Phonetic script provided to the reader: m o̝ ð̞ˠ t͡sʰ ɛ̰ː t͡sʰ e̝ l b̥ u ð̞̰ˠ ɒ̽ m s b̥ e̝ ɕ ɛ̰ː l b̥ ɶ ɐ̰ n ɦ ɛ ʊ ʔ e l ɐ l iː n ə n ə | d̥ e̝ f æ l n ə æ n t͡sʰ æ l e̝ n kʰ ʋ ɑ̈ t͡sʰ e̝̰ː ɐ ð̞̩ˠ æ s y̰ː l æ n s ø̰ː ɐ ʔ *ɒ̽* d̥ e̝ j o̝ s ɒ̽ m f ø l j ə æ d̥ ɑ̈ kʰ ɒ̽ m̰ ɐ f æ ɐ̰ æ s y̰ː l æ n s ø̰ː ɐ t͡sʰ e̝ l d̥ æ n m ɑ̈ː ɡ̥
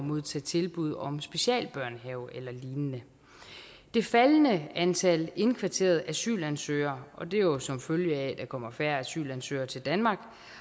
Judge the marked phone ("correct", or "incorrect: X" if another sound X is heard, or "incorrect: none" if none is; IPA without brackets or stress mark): correct